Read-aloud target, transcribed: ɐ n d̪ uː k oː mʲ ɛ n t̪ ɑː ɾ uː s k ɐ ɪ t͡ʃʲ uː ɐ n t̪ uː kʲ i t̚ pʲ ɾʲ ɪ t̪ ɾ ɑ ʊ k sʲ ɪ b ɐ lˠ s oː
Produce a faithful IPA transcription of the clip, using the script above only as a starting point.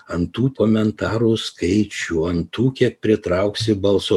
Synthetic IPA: ɐ n t̪ uː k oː mʲ ɛ n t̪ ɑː ɾ uː s k ɐ ɪ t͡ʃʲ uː ɐ n t̪ uː kʲ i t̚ pʲ ɾʲ ɪ t̪ ɾ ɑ ʊ k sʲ ɪ b ɐ lˠ s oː